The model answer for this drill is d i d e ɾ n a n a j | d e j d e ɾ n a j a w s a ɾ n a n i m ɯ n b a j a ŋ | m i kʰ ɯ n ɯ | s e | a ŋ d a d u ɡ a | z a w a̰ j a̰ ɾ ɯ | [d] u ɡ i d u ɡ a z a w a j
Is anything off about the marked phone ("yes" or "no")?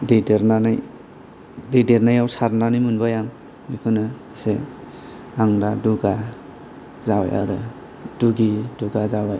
no